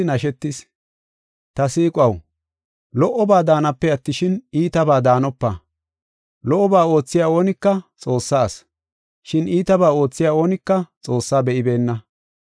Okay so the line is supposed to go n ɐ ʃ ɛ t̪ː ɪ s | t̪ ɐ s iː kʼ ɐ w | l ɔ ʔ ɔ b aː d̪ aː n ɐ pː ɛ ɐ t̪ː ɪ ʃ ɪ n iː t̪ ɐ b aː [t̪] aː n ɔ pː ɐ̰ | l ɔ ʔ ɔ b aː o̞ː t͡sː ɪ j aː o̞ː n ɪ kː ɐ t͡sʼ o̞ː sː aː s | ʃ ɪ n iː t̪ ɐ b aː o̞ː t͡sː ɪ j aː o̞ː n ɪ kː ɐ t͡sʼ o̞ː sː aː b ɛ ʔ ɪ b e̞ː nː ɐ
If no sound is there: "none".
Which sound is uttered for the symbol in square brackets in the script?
d̪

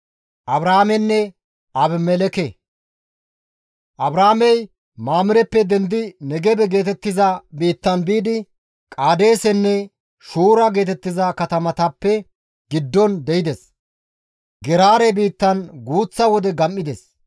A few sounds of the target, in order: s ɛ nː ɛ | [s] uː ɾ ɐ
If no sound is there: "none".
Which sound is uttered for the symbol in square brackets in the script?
ʃ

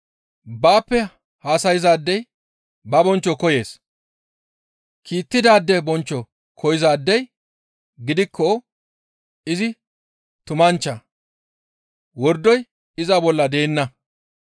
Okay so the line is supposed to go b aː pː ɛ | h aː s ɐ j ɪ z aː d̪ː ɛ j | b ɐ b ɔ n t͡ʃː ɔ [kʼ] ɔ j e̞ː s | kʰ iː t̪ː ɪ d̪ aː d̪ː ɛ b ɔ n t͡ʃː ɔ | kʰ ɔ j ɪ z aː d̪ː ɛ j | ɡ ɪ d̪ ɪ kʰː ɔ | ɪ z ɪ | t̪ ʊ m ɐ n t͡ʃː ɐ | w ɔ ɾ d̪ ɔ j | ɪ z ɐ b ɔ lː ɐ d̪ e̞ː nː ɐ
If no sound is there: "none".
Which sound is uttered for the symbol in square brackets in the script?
k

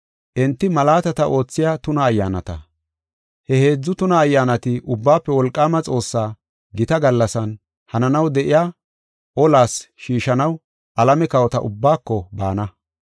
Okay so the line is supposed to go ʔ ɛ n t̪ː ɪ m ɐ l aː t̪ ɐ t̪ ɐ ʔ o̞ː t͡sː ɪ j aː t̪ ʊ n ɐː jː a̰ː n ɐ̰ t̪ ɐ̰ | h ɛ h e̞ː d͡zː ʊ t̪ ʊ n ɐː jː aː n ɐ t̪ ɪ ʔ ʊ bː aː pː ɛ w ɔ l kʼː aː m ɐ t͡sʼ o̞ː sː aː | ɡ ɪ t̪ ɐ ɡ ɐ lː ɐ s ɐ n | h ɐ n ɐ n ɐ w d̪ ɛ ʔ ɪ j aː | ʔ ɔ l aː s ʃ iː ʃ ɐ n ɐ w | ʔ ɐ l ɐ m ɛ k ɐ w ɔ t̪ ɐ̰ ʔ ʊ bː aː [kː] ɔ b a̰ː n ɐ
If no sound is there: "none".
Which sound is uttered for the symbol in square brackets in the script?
kː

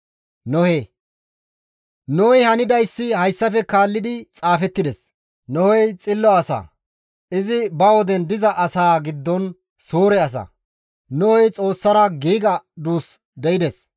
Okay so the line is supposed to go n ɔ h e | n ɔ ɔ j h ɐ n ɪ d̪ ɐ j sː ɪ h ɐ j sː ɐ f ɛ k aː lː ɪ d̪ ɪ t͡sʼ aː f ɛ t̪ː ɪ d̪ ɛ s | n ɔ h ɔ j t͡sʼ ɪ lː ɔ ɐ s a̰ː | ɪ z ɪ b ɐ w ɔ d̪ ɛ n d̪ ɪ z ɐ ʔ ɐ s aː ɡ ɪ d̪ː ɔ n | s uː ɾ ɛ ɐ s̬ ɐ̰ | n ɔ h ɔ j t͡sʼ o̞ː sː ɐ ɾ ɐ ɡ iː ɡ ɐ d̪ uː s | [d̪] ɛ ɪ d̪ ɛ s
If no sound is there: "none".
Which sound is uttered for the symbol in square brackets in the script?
d̪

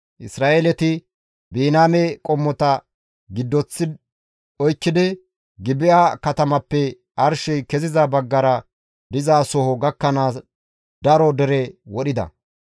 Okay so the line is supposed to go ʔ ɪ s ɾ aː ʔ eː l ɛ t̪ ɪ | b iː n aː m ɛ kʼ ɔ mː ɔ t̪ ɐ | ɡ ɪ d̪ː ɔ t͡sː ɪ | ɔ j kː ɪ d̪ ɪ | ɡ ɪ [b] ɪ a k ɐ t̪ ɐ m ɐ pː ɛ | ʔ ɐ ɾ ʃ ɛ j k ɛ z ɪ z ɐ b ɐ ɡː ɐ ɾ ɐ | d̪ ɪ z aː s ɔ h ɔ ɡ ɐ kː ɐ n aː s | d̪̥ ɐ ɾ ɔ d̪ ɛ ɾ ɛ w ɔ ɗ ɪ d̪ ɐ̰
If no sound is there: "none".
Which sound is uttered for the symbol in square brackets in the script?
b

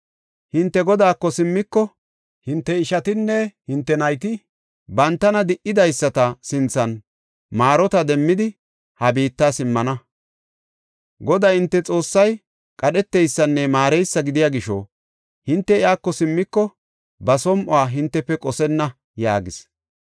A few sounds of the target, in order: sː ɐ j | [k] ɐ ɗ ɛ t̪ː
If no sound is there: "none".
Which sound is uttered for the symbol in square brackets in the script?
kʼ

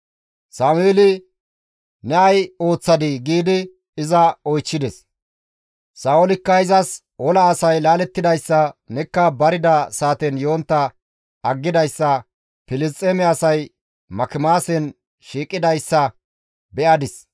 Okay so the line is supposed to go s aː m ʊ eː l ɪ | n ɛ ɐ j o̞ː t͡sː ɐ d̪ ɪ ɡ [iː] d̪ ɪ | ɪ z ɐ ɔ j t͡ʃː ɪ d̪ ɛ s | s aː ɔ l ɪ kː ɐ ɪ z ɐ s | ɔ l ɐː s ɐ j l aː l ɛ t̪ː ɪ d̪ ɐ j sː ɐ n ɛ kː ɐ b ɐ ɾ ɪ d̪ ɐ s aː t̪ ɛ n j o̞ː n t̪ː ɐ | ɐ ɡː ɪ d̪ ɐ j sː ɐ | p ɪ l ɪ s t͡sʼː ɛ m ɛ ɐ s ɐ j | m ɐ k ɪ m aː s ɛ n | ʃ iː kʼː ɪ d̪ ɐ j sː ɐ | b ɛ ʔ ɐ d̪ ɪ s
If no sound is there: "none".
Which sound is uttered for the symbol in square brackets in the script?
iː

